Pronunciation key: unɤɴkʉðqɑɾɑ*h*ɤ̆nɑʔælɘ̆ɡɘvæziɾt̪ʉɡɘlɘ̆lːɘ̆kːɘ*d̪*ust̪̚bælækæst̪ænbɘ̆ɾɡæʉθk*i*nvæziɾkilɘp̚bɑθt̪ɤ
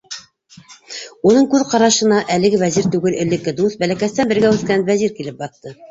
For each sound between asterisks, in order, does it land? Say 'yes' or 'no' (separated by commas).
no, yes, no